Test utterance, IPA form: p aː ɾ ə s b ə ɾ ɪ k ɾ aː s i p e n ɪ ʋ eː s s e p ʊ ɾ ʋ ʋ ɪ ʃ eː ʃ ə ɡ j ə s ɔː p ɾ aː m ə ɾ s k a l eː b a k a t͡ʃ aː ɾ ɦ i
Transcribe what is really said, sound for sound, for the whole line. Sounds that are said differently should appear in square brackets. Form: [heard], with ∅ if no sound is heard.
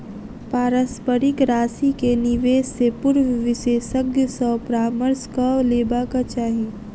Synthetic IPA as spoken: p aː ɾ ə s [p] ə ɾ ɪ k ɾ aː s i [k] e n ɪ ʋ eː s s e p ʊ ɾ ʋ ʋ ɪ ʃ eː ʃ ə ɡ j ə s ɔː p ɾ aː m ə ɾ s k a l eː b a k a t͡ʃ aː [∅] ɦ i